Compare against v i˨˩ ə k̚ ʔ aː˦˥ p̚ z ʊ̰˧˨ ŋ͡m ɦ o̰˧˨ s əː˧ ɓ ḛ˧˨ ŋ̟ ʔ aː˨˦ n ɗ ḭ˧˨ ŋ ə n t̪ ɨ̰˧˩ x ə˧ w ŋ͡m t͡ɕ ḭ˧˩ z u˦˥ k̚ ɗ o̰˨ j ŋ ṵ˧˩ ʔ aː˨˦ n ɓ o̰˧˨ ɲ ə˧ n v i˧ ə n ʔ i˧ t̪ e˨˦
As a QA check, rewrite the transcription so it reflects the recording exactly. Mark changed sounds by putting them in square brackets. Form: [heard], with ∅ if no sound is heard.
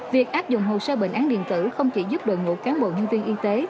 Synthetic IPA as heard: v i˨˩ ə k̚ ʔ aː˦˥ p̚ z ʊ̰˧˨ ŋ͡m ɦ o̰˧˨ s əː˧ ɓ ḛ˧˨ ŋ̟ ʔ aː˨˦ n ɗ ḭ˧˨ [∅] ə n t̪ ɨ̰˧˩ x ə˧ w ŋ͡m t͡ɕ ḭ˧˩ z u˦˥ [p̚] ɗ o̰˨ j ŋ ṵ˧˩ [k] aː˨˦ n ɓ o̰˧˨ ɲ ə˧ n v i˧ ə n ʔ i˧ t̪ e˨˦